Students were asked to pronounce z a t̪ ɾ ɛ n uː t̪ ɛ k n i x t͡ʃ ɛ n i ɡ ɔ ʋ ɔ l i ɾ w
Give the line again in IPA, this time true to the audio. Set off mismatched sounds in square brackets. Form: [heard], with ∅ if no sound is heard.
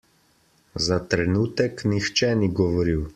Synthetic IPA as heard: z a t̪ ɾ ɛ n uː t̪ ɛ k n i x t͡ʃ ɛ n i ɡ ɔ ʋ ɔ [ɾ] i [∅] w